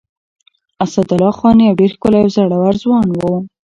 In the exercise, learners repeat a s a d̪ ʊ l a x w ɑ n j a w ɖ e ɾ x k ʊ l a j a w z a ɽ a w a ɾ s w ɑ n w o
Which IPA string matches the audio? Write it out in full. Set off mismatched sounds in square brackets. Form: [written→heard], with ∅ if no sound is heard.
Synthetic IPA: a s a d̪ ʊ l [a→ɑ] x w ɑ n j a w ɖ e ɾ x k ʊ l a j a w z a ɽ a w a ɾ [s→z] w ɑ n w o

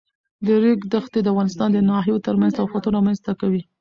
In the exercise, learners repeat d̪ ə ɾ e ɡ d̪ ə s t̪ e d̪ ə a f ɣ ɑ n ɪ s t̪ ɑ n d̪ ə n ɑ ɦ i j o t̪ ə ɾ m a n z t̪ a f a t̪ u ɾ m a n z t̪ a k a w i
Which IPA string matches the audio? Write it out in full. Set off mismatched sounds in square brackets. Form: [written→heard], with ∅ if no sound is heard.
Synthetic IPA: d̪ ə ɾ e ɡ d̪ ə [s→x] t̪ e d̪ ə a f ɣ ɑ n ɪ s t̪ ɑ n d̪ ə n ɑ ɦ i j o t̪ ə ɾ m a n z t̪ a f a t̪ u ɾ m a n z t̪ a k a w i

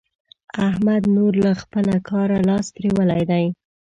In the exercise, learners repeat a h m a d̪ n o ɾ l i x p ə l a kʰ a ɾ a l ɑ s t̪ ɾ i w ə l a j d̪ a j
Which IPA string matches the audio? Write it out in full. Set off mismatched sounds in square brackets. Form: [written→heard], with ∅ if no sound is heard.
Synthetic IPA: a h m a d̪ n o ɾ l [i→a] x p ə l a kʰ [a→ɑ] ɾ a l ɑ s t̪ ɾ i w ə l a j d̪ a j

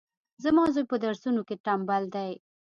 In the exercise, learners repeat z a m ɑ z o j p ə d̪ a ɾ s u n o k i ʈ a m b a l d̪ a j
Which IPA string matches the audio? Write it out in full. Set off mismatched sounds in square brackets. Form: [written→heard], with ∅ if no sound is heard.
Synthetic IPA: z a m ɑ z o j p ə d̪ a ɾ s u n o k [i→e] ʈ a m b a l d̪ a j

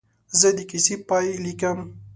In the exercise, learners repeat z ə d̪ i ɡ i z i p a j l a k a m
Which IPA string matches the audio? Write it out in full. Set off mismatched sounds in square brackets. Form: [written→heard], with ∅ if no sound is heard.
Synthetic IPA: z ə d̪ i [ɡ→k] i [z→s] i p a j l [a→i] k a m

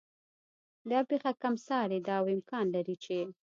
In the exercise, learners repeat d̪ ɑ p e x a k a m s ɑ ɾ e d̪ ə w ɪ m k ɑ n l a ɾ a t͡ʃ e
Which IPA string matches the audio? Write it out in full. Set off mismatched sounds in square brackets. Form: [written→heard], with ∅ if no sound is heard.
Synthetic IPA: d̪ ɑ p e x a k a m s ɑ ɾ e d̪ [ə→ɑ] w ɪ m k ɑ n l a ɾ [a→i] t͡ʃ e

